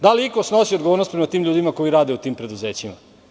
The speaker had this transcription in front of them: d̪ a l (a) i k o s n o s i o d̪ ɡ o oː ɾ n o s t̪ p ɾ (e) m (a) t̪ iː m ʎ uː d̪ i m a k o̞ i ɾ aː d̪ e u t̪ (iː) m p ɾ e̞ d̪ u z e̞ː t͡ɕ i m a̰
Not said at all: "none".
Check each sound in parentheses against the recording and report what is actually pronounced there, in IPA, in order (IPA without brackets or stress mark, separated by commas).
i, e, a, iː